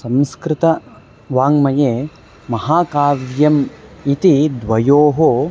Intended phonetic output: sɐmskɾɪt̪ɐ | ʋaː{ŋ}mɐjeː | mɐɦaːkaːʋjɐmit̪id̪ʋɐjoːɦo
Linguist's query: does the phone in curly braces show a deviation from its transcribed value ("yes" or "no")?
no